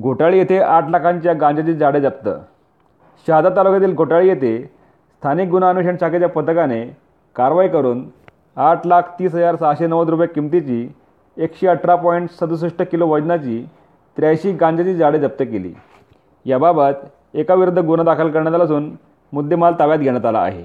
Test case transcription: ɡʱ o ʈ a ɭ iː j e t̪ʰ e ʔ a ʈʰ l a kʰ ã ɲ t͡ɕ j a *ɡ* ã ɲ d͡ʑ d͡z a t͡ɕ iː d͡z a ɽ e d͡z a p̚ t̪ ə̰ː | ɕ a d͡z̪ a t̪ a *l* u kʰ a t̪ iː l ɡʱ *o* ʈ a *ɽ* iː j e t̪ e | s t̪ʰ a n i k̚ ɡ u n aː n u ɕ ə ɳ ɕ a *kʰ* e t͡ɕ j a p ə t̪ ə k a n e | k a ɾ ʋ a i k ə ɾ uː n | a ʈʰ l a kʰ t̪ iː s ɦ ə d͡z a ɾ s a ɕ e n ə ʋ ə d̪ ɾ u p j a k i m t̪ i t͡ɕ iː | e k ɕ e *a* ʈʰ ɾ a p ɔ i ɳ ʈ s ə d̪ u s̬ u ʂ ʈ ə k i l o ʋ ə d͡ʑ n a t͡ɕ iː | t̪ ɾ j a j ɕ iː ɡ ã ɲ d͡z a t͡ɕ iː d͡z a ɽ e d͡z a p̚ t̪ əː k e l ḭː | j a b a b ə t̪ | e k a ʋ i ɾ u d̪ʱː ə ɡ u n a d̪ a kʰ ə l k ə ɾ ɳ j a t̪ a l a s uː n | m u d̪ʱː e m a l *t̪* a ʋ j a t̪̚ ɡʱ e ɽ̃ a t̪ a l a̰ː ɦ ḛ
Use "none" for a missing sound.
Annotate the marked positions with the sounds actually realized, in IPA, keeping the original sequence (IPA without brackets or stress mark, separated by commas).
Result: ɡ, l, o, ɭ, k, ə, t̪